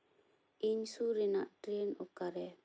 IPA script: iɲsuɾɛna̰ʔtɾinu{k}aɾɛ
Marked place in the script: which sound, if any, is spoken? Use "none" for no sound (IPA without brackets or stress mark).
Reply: k